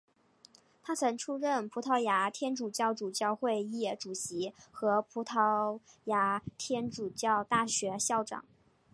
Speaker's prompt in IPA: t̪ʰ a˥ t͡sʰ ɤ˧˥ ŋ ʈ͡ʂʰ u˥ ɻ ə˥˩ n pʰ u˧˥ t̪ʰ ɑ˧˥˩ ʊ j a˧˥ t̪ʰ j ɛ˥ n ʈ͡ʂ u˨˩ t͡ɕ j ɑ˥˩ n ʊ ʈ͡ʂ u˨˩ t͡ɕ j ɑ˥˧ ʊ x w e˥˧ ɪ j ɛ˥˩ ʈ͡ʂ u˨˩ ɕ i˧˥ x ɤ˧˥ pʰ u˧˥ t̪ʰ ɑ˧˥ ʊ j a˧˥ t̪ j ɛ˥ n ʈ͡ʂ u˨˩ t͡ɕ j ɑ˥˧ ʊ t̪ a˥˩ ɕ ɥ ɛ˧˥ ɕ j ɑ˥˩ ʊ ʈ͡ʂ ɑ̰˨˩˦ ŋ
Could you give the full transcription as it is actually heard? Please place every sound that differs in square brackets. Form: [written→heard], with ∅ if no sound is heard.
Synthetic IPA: t̪ʰ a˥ t͡sʰ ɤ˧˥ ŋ ʈ͡ʂʰ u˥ ɻ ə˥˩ n pʰ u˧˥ t̪ʰ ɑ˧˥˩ ʊ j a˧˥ t̪ʰ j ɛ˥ n ʈ͡ʂ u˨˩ t͡ɕ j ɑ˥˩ [n→∅] ʊ ʈ͡ʂ u˨˩ t͡ɕ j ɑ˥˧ ʊ x w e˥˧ ɪ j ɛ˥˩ ʈ͡ʂ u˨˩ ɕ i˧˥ x ɤ˧˥ pʰ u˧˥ t̪ʰ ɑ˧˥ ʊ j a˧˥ [t̪→t̪ʰ] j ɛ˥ n ʈ͡ʂ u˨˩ t͡ɕ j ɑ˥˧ ʊ t̪ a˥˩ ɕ ɥ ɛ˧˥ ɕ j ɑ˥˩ ʊ ʈ͡ʂ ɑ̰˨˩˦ ŋ